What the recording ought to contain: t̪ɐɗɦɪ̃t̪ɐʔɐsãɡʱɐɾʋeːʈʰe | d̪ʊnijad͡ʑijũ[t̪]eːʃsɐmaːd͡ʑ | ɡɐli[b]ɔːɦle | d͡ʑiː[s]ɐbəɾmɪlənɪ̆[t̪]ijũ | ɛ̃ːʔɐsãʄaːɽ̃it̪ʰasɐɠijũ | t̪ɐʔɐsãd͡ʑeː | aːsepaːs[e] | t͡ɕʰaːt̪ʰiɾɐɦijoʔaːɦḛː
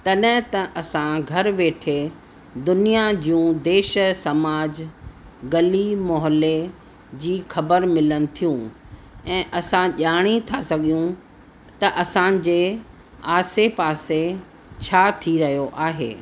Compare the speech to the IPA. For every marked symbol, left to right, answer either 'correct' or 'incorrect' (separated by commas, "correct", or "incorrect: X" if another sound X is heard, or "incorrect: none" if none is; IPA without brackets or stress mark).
incorrect: d̪, incorrect: m, incorrect: x, incorrect: t̪ʰ, correct